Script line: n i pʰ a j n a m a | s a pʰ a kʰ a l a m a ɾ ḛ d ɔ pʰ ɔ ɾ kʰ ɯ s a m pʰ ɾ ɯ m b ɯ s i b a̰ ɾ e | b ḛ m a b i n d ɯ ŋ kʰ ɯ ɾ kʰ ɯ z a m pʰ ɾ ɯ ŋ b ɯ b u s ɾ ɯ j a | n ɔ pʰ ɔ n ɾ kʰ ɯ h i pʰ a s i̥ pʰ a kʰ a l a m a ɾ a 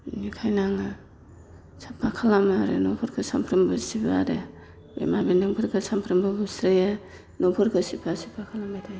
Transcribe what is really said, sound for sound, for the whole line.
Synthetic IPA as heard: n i kʰ a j n a ŋ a | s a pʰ a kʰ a l a m a ɾ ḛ n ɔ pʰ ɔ ɾ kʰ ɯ s a m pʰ ɾ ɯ m b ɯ s i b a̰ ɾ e | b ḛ m a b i n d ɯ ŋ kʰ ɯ ɾ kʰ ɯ s a m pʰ ɾ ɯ m b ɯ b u s ɾ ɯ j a | n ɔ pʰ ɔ ɾ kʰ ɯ s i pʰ a s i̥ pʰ a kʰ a l a m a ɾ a